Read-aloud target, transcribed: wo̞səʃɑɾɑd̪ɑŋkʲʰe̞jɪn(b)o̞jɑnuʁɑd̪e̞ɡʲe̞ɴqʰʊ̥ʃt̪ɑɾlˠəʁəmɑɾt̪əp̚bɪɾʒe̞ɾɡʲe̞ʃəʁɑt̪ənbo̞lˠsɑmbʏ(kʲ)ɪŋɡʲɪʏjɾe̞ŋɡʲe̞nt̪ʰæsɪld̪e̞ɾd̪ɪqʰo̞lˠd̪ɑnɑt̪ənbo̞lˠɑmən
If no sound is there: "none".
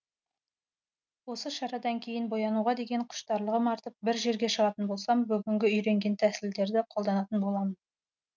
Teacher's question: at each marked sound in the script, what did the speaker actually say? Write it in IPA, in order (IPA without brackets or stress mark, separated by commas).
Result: b, ɡʲ